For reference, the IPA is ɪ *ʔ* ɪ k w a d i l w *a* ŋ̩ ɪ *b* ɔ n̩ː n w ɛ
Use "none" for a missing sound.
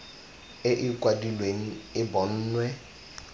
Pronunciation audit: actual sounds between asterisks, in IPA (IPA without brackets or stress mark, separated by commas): ʔ, e, b